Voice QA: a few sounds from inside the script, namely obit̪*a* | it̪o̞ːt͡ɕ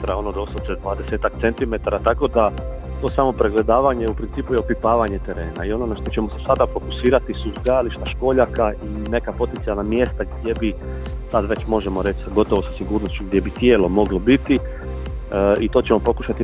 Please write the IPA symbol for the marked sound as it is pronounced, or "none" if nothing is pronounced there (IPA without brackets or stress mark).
i